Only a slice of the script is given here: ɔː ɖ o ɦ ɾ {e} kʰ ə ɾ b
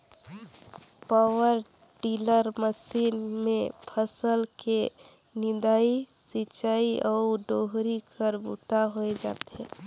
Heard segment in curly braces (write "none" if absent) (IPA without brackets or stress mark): i